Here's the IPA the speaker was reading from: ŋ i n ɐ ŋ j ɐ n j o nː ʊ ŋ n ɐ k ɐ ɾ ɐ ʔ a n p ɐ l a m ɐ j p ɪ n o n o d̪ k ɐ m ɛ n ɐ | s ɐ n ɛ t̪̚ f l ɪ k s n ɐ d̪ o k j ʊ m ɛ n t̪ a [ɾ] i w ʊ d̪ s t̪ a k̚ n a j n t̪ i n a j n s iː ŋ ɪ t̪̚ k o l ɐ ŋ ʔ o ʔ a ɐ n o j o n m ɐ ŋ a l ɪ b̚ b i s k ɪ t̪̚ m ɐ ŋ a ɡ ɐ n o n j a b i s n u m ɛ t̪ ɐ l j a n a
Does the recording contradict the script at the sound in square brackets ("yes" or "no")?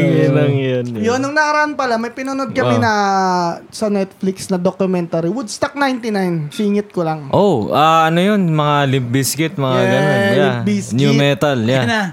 no